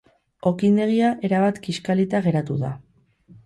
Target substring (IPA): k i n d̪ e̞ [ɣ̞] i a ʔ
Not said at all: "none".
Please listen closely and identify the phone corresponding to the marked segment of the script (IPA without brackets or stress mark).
ɣ̞